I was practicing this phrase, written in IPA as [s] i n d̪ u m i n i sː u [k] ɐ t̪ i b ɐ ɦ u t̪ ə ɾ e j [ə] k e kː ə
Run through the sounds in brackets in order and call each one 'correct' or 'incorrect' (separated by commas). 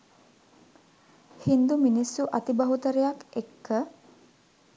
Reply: incorrect, incorrect, incorrect